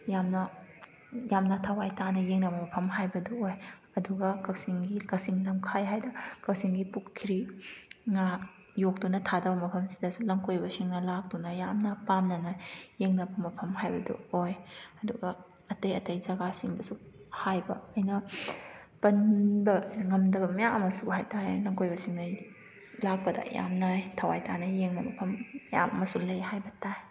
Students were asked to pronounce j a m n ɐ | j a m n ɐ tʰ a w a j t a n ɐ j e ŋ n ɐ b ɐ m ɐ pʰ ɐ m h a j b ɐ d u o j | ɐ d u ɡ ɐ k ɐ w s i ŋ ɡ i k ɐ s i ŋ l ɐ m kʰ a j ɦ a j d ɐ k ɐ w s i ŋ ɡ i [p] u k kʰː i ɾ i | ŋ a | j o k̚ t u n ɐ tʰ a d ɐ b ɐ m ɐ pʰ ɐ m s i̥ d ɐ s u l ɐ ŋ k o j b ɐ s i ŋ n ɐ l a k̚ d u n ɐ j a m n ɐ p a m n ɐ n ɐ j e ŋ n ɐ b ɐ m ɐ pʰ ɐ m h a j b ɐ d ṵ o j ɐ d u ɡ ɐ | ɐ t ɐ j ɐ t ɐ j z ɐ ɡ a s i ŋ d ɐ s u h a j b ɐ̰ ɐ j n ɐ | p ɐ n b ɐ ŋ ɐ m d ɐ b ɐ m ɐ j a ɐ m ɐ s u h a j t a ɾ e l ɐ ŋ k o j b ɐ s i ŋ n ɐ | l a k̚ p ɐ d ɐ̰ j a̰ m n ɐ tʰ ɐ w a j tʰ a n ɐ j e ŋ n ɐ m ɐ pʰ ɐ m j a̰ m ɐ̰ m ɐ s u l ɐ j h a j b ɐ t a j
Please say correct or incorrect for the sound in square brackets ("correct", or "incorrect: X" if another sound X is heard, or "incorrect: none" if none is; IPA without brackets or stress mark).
correct